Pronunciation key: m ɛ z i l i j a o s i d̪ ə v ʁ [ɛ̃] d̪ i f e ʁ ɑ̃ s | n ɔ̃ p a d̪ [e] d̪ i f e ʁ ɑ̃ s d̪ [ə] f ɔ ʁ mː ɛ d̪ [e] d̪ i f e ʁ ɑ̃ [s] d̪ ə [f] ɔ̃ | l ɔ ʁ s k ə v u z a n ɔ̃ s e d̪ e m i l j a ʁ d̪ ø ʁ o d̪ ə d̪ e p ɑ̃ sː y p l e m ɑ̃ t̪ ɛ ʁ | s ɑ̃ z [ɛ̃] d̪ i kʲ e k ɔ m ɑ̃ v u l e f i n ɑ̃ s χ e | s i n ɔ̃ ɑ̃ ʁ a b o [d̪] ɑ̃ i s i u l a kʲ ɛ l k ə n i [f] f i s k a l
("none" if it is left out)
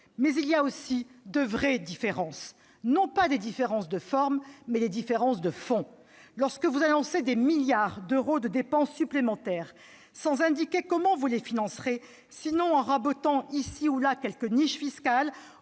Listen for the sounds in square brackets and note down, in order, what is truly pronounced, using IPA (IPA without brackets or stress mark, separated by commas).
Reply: ɛ, e, ə, e, s, f, ɛ̃, t̪, ʃ